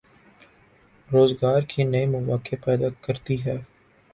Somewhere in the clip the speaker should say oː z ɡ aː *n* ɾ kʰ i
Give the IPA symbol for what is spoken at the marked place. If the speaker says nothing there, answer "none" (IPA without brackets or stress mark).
none